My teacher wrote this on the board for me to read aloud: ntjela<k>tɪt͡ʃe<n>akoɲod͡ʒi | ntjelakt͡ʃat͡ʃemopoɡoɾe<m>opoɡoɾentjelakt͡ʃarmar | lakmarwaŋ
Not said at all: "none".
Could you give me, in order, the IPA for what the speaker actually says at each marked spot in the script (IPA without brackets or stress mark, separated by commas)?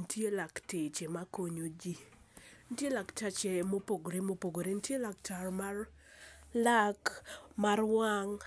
k, m, m